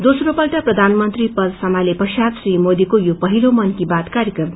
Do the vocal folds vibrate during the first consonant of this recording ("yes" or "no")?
yes